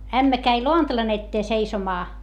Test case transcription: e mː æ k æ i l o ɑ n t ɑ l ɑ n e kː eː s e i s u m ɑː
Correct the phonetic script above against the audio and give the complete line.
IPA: æ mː æ k æ i l o ɑ n t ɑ l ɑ n e tː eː s e i s o m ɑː